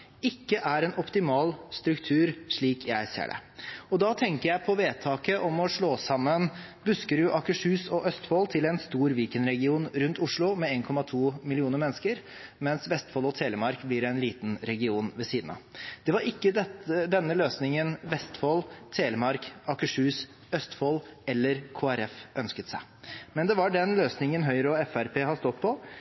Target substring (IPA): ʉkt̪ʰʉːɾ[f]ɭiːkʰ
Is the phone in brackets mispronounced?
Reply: yes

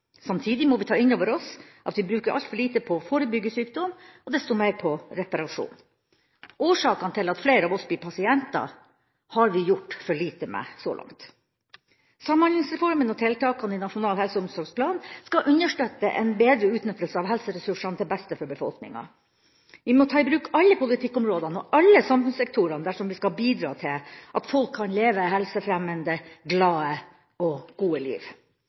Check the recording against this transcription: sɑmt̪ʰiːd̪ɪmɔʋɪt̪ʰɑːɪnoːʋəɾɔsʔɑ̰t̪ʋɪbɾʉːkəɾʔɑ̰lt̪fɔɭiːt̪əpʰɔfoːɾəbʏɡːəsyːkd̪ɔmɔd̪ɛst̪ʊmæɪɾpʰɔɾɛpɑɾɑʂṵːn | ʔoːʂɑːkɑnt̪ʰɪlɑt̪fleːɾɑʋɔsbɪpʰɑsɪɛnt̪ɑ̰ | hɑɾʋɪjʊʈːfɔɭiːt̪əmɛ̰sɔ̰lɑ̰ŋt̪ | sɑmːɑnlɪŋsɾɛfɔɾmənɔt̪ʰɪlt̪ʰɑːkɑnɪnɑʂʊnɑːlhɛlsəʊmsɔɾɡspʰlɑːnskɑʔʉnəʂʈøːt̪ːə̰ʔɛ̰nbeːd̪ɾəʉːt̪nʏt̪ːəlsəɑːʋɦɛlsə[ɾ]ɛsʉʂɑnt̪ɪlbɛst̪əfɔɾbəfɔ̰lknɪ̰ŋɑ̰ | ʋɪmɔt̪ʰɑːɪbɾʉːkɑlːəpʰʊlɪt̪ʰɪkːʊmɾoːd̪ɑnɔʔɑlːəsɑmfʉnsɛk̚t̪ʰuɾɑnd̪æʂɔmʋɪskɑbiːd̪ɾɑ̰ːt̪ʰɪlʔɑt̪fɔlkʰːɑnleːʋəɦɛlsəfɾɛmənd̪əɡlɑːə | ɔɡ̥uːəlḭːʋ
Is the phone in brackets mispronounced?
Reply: no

